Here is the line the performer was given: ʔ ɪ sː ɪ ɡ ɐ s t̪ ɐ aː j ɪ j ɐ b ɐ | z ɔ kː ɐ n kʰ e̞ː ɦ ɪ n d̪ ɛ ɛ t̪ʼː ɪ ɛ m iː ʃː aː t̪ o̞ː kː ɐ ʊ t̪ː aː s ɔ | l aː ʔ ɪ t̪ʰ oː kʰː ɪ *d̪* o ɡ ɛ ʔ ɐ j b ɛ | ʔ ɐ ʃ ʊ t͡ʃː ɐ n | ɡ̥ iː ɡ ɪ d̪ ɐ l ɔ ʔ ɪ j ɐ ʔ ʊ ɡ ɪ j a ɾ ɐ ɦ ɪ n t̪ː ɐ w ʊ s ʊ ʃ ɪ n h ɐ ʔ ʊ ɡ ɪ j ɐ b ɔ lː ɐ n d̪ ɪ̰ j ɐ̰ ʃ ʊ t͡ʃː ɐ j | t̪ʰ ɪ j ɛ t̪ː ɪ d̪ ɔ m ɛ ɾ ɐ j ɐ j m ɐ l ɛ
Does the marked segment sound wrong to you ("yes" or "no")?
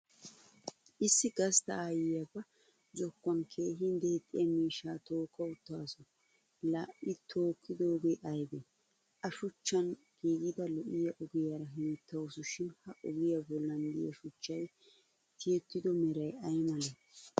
no